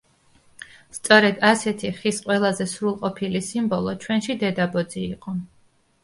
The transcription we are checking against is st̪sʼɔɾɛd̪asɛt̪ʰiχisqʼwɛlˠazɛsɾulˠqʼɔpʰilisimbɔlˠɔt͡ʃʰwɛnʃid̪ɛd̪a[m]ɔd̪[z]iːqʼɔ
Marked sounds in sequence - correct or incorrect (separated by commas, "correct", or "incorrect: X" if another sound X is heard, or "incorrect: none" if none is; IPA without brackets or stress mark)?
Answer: incorrect: b, correct